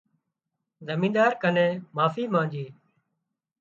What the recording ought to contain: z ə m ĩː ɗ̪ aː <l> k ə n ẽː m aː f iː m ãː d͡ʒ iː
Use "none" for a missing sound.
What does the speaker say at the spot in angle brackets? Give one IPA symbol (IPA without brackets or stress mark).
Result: ɾ